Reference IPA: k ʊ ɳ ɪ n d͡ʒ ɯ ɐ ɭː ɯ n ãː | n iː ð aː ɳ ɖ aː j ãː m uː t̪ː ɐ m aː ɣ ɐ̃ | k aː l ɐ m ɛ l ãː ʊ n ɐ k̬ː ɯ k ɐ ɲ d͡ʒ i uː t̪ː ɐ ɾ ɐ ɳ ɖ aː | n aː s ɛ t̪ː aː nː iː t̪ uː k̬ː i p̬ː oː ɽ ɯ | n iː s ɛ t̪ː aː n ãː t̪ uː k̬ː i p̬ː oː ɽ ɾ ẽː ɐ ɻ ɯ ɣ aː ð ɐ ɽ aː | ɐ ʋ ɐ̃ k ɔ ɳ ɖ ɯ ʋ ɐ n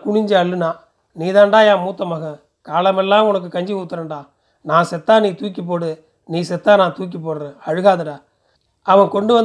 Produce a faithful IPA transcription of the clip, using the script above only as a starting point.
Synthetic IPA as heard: k ʊ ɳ ɪ ɲ d͡ʒ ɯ ɐ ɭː ɯ n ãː | n iː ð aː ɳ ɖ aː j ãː m uː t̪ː ɐ m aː ɣ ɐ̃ | k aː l ɐ m ɛ lː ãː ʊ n ɐ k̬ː ɯ k ɐ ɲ d͡ʒ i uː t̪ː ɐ ɾ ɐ ɳ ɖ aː | n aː s ɛ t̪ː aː n iː t̪ uː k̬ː i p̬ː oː ɽ ɯ | n iː s ɛ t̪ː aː n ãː t̪ uː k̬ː i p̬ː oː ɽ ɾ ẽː ɐ ɻ ɯ ɣ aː ð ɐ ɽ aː | ɐ ʋ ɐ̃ k ɔ ɳ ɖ ɯ ʋ ɐ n